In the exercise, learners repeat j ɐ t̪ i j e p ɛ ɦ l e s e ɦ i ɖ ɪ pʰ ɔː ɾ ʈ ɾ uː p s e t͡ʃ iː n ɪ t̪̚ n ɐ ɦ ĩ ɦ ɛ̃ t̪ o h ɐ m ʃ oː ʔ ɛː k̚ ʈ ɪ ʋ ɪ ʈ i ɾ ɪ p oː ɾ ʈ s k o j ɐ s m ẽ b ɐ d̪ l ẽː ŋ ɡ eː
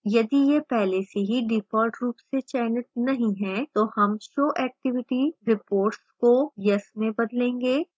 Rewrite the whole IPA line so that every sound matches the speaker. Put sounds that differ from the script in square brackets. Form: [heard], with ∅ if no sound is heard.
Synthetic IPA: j ɐ [d̪] i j e p ɛ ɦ l e s e ɦ i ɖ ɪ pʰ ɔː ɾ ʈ ɾ uː p s e t͡ʃ [ɛː] n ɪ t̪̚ n ɐ ɦ ĩ ɦ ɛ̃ t̪ o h ɐ m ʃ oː ʔ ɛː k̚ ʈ ɪ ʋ ɪ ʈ i ɾ ɪ p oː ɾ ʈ s k o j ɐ s m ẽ b ɐ d̪ l ẽː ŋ ɡ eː